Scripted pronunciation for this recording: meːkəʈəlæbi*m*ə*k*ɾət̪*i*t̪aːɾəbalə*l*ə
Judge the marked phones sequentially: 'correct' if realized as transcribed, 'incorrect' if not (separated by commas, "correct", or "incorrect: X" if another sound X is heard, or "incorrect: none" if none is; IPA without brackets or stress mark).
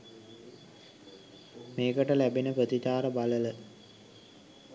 incorrect: n, incorrect: p, correct, correct